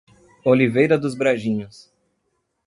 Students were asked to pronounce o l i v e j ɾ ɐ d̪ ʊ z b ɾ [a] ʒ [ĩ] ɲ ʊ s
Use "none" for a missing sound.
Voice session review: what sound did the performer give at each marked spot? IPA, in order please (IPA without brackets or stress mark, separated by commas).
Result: a, ĩ